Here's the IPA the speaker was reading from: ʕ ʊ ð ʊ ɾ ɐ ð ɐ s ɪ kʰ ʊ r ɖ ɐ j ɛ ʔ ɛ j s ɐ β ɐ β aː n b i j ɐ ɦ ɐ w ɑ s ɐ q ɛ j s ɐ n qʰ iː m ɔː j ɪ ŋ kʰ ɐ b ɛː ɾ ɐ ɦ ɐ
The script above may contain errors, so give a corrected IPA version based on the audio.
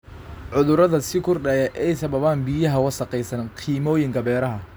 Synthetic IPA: ʕ ʊ ð ʊ ɾ ɐ ð ɐ s ɪ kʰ ʊ r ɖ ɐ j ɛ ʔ ɛ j s ɐ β ɐ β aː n b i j ɐ ɦ ɐ w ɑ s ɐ q ɛ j s ɐ n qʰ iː m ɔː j ɪ ŋ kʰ ɐ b ɛː ɾ ɐ ɦ ɐ

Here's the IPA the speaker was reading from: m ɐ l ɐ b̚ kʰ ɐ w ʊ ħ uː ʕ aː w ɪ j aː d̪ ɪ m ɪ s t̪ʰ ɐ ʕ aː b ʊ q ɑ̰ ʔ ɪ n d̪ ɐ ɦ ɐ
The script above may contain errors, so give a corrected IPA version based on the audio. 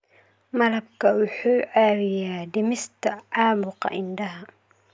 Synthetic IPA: m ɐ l ɐ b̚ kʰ ɐ w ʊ ħ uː ʕ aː w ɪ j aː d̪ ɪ m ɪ s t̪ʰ ɐ ʕ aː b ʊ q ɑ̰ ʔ ɪ n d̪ ɐ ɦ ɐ

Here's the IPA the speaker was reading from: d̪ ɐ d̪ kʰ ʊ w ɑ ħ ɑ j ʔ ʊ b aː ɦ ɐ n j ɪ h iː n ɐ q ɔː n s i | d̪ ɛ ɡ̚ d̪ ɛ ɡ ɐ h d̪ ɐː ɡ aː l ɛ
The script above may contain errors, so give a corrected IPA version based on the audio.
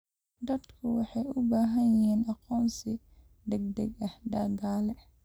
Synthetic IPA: d̪ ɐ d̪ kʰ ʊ w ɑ ħ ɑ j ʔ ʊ b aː ɦ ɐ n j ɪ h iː n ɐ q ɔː n s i | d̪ ɛ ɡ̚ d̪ ɛ ɡ ɐ h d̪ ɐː ɡ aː l ɛ

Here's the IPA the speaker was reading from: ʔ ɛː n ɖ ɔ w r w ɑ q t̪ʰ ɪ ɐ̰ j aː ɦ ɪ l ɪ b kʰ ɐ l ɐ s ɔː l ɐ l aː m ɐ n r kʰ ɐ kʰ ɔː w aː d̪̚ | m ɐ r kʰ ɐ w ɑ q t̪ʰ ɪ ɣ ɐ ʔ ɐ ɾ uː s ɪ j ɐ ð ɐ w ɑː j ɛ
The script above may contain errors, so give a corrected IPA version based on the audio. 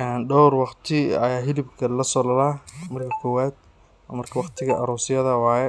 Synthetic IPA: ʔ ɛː n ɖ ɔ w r w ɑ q t̪ʰ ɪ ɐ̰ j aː ɦ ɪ l ɪ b kʰ ɐ l ɐ s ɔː l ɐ l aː m ɐ r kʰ ɐ kʰ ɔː w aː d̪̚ | m ɐ r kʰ ɐ w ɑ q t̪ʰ ɪ ɣ ɐ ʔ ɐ ɾ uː s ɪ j ɐ ð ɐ w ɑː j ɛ

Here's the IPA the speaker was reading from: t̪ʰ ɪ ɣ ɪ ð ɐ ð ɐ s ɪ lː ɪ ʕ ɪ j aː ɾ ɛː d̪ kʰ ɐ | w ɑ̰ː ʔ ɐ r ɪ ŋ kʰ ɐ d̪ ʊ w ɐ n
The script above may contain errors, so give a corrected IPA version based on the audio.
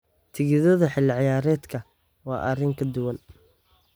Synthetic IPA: t̪ʰ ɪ ɣ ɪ ð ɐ ð ɐ ħ ɪ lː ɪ ʕ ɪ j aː ɾ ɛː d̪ kʰ ɐ | w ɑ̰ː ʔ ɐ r ɪ ŋ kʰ ɐ d̪ ʊ w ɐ n

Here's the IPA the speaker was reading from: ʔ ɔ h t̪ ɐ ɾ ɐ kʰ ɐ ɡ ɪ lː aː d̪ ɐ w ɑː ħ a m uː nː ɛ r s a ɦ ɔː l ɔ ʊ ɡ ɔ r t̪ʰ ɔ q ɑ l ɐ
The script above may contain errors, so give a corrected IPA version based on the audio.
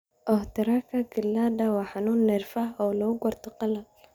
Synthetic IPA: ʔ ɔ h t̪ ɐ ɾ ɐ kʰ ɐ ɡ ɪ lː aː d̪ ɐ w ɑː ħ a n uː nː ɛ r f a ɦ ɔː l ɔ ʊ ɡ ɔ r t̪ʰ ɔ q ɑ l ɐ

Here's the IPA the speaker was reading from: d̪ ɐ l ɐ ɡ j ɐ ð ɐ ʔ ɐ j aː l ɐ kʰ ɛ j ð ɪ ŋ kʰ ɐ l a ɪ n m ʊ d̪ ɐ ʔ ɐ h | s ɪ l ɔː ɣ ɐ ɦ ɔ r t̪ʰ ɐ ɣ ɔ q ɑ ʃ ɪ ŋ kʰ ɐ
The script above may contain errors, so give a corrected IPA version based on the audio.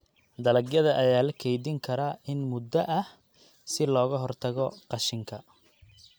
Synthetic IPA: d̪ ɐ l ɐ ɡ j ɐ ð ɐ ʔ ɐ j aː l ɐ kʰ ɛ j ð ɪ ŋ kʰ ɐ ɾ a ɪ n m ʊ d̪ ɐ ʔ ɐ h | s ɪ l ɔː ɣ ɐ ɦ ɔ r t̪ʰ ɐ ɣ ɔ q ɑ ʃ ɪ ŋ kʰ ɐ

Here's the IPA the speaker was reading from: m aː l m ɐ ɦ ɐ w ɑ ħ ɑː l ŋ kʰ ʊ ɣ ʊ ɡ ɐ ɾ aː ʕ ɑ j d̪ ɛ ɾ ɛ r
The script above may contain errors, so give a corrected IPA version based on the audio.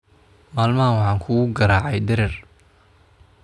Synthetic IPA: m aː l m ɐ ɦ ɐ w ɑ ħ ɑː ŋ kʰ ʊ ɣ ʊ ɡ ɐ ɾ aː ʕ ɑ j d̪ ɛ ɾ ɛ r

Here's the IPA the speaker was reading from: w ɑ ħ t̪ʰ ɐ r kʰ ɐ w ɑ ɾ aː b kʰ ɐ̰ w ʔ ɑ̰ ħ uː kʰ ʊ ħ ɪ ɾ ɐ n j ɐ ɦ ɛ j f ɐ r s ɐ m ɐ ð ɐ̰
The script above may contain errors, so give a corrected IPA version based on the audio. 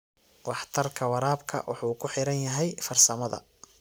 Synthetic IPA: w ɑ ħ t̪ʰ ɐ r kʰ ɐ w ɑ ɾ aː b kʰ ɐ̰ w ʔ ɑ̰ ħ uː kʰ ʊ ħ ɪ ɾ ɐ n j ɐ ɦ ɛ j f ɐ r s ɐ m ɐ ð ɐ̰

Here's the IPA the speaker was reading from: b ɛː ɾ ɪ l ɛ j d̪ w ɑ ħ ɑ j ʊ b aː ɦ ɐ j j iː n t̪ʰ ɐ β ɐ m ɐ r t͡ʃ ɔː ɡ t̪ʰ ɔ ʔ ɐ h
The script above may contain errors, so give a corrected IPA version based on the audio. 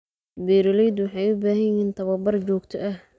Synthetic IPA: b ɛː ɾ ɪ l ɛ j d̪ w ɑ ħ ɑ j ʊ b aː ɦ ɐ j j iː n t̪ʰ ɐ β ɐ b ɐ r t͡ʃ ɔː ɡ t̪ʰ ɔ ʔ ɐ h

